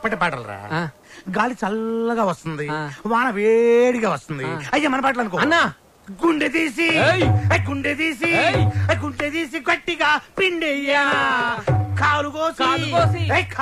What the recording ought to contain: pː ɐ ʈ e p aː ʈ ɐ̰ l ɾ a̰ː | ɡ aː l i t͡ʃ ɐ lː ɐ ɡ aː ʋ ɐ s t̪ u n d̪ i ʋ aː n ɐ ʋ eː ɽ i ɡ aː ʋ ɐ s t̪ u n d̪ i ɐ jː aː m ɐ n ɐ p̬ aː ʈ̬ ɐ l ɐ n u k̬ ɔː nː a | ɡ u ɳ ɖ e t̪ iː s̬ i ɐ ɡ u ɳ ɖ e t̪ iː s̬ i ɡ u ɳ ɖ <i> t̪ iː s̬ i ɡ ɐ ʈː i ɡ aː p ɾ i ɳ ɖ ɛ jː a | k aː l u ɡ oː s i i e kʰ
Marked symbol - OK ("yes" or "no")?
no